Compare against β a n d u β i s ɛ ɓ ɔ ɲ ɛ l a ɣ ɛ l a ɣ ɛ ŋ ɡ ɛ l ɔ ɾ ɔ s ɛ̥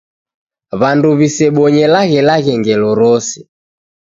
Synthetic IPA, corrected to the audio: β a n d u β i s ɛ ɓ ɔ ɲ ɛ l a ɣ ɛ l a ɣ ɛ ŋ ɡ ɛ l ɔ ɾ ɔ s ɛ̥